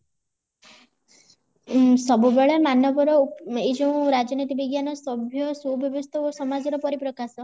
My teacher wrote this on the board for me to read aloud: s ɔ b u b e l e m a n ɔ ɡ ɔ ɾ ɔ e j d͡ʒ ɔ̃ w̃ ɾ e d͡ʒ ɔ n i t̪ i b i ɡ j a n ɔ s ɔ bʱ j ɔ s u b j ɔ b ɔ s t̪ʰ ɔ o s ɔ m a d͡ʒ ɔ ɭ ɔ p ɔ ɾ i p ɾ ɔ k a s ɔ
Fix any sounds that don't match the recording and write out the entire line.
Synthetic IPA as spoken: s ɔ b u b e ɭ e m a n ɔ b ɔ ɾ ɔ e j d͡ʒ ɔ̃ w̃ ɾ a d͡ʒ ɔ n i t̪ i b i ɡ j a n ɔ s ɔ bʱ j ɔ s u b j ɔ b ɔ s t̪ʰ ɔ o s ɔ m a d͡ʒ ɔ ɾ ɔ p ɔ ɾ i p ɾ ɔ k a s ɔ